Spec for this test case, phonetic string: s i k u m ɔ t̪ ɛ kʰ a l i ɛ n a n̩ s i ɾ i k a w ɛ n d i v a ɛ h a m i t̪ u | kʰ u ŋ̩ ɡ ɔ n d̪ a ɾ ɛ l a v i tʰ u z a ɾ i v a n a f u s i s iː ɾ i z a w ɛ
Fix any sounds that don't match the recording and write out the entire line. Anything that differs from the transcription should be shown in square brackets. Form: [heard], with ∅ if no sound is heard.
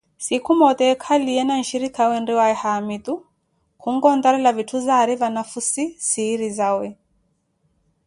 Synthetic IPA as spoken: s i k u m ɔ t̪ ɛ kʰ a l i ɛ n a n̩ [ʃ] i ɾ i k a w ɛ n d i [w] a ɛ h a m i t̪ u | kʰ u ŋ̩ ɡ ɔ n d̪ a ɾ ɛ l a v i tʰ u z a ɾ i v a n a f u s i s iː ɾ i z a w ɛ